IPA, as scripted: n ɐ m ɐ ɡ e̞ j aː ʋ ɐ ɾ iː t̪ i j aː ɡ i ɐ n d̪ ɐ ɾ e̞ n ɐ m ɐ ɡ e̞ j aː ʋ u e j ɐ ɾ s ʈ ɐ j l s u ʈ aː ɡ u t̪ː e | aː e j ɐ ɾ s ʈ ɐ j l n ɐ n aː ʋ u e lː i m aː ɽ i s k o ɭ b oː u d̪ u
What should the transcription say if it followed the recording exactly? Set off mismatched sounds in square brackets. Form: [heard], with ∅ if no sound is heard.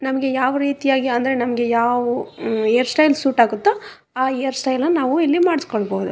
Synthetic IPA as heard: n ɐ m ɐ ɡ e̞ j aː ʋ ɐ ɾ iː t̪ i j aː ɡ i ɐ n d̪ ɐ ɾ e̞ n ɐ m ɐ ɡ e̞ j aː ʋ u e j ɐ ɾ s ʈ ɐ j l s [uː] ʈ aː ɡ u t̪ː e | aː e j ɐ ɾ s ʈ ɐ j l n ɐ n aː ʋ u [i] lː i m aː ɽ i s k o ɭ b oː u d̪ u